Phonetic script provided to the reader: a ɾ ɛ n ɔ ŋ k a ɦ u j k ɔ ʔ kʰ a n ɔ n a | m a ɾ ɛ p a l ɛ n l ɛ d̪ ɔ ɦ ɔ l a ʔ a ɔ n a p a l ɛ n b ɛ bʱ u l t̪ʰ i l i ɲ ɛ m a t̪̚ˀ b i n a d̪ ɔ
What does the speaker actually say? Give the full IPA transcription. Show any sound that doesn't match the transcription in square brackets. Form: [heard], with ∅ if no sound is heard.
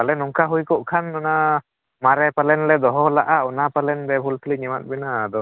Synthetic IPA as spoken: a [l] ɛ n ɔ ŋ k a ɦ u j k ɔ ʔ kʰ a n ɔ n a | m a ɾ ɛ p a l ɛ n l ɛ d̪ ɔ ɦ ɔ l a ʔ a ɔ n a p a l ɛ n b ɛ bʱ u l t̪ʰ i l i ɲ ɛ m a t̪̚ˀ b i n a d̪ ɔ

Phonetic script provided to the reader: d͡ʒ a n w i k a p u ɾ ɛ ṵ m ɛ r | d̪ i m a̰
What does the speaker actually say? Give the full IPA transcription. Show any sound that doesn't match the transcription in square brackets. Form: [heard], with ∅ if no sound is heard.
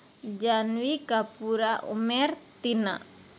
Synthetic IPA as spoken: d͡ʒ a n w i k a p u ɾ [a] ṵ m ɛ r | [t̪] i [n] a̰

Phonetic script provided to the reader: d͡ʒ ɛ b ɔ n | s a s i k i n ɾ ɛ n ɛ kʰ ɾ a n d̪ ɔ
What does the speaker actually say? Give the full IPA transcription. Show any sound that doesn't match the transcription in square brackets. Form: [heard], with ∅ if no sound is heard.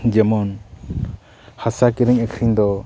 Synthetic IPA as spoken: d͡ʒ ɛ [m] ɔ n | [h] a s [a] k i [∅] ɾ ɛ [ŋ] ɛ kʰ ɾ [i] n d̪ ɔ

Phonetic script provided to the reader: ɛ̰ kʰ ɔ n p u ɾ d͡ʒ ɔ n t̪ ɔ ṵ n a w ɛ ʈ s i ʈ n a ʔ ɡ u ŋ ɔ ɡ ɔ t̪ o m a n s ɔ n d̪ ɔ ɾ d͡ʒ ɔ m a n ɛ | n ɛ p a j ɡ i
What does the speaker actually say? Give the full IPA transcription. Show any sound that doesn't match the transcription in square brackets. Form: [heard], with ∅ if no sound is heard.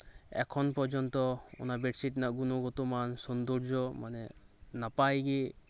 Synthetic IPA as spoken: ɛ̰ kʰ ɔ n p [ɔ] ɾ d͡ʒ ɔ n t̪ ɔ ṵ n a [b] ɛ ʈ s i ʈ n a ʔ ɡ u [n] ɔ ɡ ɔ t̪ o m a n s ɔ n d̪ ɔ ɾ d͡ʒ ɔ m a n ɛ | n [a] p a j ɡ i

